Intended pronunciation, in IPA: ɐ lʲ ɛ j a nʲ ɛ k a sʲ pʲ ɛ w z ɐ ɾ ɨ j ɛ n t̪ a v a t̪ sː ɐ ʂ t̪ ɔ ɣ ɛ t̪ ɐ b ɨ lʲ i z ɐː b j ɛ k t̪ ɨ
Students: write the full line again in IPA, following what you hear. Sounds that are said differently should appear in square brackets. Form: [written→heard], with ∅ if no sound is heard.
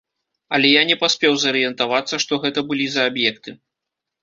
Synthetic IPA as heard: ɐ lʲ ɛ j a nʲ ɛ [k→p] a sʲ pʲ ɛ w z ɐ ɾ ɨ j ɛ n t̪ a v a t̪ sː ɐ ʂ t̪ ɔ ɣ ɛ t̪ ɐ b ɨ lʲ i z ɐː b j ɛ k t̪ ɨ